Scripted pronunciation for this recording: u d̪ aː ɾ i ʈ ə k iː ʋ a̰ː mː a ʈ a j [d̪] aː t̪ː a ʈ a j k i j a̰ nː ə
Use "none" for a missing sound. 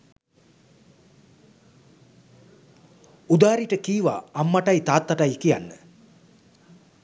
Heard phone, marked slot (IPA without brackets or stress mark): t̪